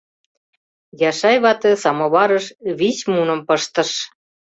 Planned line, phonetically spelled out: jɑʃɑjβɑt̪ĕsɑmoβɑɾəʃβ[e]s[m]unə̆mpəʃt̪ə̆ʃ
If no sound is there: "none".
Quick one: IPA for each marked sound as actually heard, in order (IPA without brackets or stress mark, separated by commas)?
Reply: i, m